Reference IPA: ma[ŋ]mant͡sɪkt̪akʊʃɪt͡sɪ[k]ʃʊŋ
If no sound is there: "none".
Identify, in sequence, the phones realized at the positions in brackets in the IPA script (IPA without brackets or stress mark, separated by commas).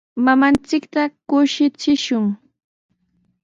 none, none